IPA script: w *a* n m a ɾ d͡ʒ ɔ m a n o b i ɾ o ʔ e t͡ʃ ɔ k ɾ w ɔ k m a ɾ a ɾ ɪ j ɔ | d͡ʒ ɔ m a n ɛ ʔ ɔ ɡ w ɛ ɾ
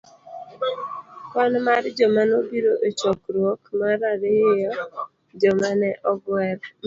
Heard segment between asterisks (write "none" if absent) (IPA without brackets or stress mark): a